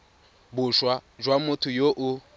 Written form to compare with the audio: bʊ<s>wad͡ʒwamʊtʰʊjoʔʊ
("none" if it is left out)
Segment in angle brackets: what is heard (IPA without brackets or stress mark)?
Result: ʃ